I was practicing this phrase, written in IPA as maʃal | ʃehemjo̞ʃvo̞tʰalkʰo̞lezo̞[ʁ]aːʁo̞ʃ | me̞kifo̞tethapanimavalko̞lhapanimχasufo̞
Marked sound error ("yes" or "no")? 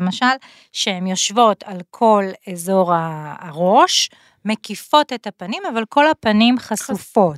no